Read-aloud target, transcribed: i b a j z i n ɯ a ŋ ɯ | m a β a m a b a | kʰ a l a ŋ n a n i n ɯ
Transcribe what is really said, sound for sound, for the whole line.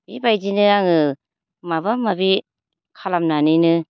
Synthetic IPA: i b a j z i n ɯ a ŋ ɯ | m a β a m a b i | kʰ a l a m n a n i n ɯ